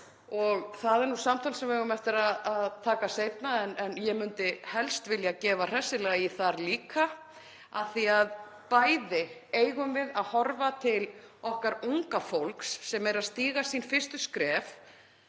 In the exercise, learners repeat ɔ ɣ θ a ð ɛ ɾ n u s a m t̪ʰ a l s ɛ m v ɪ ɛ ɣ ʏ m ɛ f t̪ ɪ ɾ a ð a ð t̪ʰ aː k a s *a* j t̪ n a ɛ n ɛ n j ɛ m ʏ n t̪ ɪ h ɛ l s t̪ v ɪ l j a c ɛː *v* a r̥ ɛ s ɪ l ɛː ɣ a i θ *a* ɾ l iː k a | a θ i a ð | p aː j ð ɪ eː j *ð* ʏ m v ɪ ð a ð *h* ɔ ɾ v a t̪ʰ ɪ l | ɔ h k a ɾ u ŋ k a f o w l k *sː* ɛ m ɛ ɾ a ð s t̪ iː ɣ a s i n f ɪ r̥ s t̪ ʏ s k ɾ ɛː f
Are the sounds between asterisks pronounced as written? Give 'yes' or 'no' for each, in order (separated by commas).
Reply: no, yes, yes, no, yes, yes